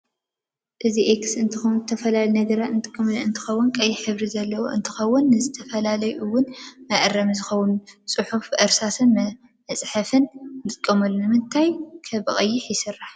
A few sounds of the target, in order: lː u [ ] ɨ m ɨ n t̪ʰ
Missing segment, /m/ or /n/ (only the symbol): n